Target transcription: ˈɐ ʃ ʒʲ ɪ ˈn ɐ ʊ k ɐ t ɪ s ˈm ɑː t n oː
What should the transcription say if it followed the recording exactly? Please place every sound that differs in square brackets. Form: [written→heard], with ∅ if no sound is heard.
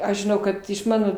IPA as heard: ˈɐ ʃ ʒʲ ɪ ˈn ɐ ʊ k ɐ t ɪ [s→ʃ] ˈm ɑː [t→∅] n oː